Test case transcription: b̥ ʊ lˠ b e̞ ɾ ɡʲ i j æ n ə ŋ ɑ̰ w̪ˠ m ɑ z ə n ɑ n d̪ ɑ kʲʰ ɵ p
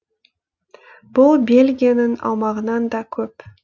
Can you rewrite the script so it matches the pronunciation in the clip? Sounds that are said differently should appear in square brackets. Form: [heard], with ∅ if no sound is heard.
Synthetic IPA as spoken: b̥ ʊ lˠ b e̞ [l] ɡʲ i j [a] n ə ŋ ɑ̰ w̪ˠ m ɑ [ʁ] ə n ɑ n d̪ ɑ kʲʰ ɵ p